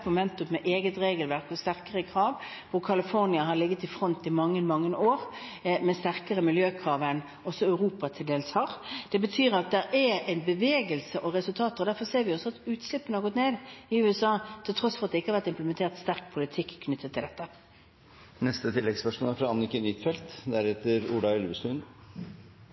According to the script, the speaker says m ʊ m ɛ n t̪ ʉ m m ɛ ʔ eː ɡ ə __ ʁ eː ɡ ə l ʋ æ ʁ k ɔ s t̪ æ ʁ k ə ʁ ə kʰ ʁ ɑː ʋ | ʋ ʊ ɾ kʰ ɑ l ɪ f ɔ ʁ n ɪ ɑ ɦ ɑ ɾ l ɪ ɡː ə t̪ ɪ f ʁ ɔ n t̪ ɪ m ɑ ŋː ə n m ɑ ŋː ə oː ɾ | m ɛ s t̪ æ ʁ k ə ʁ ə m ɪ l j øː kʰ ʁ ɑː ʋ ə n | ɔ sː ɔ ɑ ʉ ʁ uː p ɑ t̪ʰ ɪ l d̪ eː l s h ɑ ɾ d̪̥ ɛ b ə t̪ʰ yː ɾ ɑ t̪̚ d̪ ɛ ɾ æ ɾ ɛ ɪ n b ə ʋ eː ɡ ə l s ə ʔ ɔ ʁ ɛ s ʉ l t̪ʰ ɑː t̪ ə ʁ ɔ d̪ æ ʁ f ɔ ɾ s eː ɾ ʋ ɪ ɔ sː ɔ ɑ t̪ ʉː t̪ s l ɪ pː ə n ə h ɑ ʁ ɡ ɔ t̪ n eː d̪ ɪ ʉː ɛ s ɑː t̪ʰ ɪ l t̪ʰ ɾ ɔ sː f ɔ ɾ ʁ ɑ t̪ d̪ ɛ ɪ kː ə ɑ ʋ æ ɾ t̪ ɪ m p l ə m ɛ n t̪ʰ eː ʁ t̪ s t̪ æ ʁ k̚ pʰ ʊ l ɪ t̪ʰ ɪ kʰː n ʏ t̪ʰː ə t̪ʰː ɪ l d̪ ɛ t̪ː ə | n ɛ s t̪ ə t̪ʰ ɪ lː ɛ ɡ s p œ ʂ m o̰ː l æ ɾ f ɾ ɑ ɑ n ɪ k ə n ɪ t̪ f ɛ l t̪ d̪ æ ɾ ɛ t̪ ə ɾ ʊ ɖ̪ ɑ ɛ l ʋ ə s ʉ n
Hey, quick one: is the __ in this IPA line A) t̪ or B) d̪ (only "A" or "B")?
A